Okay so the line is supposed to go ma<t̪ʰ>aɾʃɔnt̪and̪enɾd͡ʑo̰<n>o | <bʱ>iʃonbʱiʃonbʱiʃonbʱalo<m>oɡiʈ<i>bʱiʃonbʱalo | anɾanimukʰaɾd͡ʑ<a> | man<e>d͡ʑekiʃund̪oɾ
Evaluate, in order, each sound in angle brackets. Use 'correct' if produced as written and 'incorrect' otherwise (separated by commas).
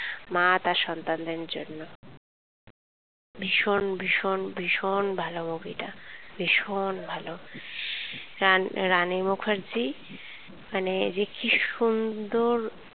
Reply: incorrect, incorrect, correct, correct, incorrect, incorrect, correct